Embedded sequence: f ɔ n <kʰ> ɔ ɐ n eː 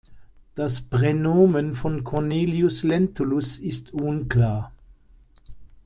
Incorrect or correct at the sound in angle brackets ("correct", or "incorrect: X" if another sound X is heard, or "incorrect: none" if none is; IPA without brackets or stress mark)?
correct